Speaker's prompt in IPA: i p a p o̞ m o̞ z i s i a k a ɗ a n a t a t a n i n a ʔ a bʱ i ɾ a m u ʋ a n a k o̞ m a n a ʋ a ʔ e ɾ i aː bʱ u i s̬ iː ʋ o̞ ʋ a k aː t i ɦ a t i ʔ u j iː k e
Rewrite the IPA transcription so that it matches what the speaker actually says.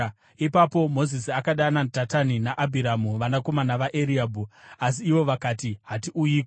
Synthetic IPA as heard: i p a p o̞ m o̞ z i s i a k a ɗ a n a t a t a n i n a ʔ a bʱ i ɾ a m u ʋ a n a k o̞ m a n a ʋ a ʔ e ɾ i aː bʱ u a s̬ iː ʋ o̞ ʋ a k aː t i ɦ a t i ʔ u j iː k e

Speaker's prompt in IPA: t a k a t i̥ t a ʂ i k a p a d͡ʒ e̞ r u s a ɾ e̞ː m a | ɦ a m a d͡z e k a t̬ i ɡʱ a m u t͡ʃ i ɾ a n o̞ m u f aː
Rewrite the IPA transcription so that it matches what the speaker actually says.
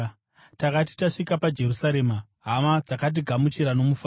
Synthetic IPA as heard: t a k a t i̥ t a ʂ i k a p a d͡ʒ e̞ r u s a ɾ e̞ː m a | ɦ a m a d͡z a k a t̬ i ɡʱ a m u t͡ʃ i ɾ a n o̞ m u f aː

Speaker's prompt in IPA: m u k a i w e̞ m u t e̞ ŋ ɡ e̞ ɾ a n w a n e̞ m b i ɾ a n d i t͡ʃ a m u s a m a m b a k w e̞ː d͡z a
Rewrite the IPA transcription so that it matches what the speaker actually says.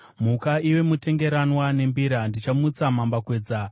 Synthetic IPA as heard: m u k a i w e̞ m u t e̞ ŋ ɡ e̞ ɾ a n w a n e̞ m b i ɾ a n d i t͡ʃ a m u t͡s a m a m b a k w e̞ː d͡z a

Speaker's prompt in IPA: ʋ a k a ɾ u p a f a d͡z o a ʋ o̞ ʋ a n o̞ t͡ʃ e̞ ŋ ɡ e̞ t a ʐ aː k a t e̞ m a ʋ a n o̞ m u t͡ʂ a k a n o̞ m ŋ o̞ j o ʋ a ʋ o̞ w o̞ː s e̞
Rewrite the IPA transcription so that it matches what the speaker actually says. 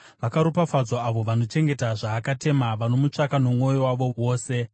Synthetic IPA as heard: ʋ a k a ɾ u p a f a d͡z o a ʋ o̞ ʋ a n o̞ t͡ʃ e̞ ŋ ɡ e̞ t a ʐ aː k a t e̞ m a ʋ a n o̞ m u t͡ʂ a k a n o̞ m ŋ o̞ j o w a ʋ o̞ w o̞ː s e̞

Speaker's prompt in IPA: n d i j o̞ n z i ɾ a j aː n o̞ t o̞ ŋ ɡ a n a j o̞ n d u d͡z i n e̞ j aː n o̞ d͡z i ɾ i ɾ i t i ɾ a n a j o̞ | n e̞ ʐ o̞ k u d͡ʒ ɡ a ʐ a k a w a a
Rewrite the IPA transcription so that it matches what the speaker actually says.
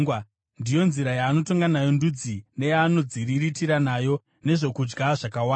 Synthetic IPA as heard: n d i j o̞ n z i ɾ a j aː n o̞ t o̞ ŋ ɡ a n a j o̞ n d u d͡z i n e̞ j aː n o̞ d͡z i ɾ i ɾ i t i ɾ a n a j o̞ | n e̞ ʐ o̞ k u d͡ʒ ɡ a ʐ a k a w a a

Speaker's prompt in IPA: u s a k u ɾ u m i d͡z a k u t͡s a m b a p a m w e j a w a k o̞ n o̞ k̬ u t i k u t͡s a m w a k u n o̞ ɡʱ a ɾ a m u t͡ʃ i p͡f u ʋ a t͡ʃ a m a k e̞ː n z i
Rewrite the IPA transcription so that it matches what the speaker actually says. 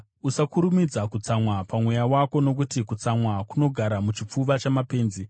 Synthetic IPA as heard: u s a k u ɾ u m i d͡z a k u t͡s a m w a p a m w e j a w a k o̞ n o̞ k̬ u t i k u t͡s a m w a k u n o̞ ɡʱ a ɾ a m u t͡ʃ i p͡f u ʋ a t͡ʃ a m a p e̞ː n z i

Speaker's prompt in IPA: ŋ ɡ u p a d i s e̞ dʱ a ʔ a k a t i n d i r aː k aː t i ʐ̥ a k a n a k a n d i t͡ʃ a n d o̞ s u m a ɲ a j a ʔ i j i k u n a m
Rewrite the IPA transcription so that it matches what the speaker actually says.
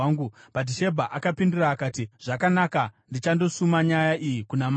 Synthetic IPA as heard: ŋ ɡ u p a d i ʃ e̞ bʱ a ʔ a k a p i n d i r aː k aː t i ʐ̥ a k a n a k a n d i t͡ʃ a n d o̞ s u m a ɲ a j a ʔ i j i k u n a m

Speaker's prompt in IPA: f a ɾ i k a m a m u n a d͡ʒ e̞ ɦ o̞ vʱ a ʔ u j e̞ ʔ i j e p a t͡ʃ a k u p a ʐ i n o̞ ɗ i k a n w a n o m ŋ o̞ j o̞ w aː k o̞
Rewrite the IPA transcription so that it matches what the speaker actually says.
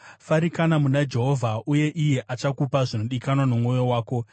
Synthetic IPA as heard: f a ɾ i k a n a m u n a d͡ʒ e̞ ɦ o̞ vʱ a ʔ u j e̞ ʔ i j e ʔ a t͡ʃ a k u p a ʐ i n o̞ ɗ i k a n w a n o m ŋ o̞ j o̞ w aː k o̞

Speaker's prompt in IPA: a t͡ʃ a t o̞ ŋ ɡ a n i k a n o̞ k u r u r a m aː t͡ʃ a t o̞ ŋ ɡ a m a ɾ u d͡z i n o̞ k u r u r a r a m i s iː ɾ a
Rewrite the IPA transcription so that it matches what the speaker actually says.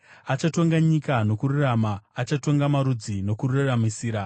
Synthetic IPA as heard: a t͡ʃ a t o̞ ŋ ɡ a ɲ i k a n o̞ k u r u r a m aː t͡ʃ a t o̞ ŋ ɡ a m a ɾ u d͡z i n o̞ k u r u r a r a m i s iː ɾ a

